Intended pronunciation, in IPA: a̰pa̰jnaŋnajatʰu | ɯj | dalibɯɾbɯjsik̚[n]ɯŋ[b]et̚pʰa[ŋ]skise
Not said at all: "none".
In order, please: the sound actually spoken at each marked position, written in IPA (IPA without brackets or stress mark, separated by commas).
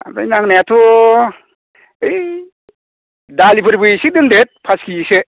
d, d, none